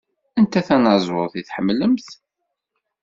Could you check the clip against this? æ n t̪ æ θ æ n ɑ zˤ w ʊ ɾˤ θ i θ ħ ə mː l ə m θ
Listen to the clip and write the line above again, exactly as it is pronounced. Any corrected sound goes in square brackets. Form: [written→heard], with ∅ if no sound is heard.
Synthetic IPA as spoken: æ n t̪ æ θ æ n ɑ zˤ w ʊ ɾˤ θ i θ ħ ə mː l ə m θ